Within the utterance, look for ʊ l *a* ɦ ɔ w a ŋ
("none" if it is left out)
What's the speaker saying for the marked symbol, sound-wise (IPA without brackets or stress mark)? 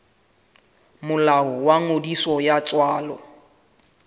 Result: a